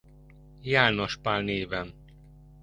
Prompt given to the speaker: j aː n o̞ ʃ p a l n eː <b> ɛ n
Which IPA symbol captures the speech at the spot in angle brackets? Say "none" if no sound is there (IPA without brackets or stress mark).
v